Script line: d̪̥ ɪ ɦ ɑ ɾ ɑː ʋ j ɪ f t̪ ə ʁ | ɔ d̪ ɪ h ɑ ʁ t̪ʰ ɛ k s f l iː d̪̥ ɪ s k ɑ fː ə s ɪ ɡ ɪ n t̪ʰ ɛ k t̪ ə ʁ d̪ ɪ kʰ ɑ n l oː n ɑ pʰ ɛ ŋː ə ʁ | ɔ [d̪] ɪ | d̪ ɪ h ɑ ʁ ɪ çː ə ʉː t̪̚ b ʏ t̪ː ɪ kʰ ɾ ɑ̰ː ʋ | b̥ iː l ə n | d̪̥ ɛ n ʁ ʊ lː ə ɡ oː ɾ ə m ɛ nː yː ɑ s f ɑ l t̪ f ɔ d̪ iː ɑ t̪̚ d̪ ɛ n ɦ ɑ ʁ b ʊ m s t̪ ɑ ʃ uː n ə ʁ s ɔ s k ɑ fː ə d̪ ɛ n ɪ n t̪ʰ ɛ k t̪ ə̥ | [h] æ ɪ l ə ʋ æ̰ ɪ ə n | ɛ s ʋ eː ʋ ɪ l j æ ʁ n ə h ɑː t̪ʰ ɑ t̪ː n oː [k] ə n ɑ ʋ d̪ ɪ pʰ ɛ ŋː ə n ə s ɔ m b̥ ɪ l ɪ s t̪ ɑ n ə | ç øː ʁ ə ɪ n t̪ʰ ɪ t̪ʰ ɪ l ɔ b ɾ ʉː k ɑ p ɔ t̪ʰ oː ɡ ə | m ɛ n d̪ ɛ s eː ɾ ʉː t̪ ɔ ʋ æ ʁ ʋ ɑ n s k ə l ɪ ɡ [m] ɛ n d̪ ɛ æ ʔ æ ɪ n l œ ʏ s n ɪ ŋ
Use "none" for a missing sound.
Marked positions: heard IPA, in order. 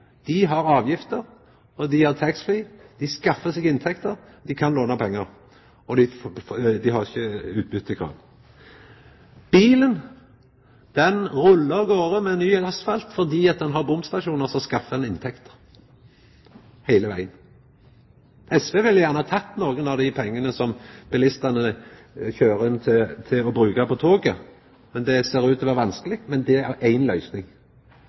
d̪, h, ɡ, m

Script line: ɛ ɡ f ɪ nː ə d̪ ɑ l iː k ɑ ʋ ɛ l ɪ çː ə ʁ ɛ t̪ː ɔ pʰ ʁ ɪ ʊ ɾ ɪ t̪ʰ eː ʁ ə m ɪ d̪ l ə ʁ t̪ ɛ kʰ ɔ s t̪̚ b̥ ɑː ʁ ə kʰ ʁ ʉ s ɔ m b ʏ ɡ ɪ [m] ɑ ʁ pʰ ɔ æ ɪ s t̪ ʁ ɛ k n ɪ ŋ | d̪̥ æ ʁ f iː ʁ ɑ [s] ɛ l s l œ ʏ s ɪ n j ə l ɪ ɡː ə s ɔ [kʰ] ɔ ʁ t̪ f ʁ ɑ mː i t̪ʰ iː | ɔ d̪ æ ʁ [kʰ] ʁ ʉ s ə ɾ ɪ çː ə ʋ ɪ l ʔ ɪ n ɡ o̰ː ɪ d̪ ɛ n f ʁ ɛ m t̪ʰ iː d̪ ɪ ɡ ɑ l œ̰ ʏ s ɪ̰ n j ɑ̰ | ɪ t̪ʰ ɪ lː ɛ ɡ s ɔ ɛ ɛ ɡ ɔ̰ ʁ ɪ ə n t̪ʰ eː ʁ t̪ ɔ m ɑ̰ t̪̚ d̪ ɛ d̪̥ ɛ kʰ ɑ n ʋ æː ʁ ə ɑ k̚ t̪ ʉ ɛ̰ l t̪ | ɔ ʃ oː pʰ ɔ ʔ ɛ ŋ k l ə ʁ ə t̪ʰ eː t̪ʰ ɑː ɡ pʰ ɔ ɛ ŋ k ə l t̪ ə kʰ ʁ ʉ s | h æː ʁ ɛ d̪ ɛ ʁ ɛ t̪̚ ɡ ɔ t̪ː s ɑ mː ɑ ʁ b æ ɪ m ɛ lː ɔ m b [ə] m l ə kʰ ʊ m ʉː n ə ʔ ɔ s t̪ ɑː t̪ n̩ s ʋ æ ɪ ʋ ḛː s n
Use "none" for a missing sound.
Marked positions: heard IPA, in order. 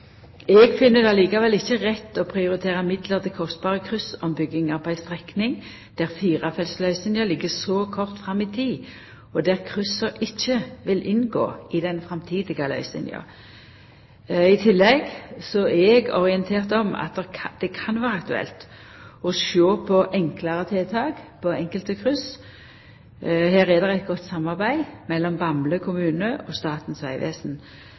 ŋ, f, kʰ, kʰ, ɑ

